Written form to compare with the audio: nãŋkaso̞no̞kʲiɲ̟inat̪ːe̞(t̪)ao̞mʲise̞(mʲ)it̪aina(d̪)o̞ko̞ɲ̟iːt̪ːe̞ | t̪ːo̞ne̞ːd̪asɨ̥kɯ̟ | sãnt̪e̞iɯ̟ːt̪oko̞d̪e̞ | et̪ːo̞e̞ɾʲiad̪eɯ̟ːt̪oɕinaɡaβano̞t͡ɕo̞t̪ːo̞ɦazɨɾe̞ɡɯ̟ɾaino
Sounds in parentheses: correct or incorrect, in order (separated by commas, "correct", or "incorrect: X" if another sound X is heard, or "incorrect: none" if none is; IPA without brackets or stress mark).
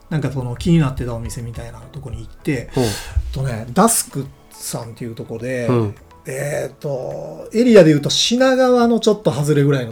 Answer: correct, correct, incorrect: t̪